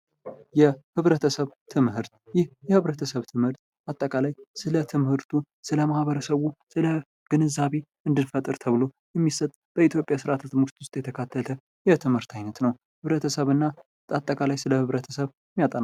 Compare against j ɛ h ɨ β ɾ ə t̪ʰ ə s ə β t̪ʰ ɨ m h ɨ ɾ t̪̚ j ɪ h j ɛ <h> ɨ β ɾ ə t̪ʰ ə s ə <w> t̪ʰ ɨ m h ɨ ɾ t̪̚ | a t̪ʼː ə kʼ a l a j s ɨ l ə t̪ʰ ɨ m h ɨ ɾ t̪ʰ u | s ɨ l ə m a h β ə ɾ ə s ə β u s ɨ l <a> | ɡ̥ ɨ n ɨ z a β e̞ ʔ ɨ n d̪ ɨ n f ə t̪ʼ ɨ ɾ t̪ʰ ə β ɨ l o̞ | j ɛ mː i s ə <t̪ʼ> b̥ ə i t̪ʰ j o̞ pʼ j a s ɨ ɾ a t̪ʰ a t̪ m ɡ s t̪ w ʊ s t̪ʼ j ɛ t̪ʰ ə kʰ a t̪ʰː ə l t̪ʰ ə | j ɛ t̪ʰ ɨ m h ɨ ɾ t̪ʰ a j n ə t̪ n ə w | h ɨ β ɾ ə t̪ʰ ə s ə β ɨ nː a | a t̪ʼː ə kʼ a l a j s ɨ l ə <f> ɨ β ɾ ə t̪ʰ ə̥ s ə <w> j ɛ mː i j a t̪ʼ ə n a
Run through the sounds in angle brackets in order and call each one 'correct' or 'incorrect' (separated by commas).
correct, incorrect, incorrect, correct, incorrect, incorrect